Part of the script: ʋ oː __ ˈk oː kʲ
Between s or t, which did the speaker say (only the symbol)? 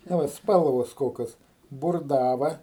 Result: s